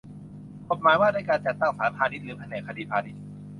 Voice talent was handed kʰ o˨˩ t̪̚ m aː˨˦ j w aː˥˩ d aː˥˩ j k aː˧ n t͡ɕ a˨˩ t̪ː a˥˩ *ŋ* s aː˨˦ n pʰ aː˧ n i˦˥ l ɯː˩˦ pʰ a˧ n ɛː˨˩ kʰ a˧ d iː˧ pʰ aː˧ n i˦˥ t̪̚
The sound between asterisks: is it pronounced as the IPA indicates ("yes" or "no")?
yes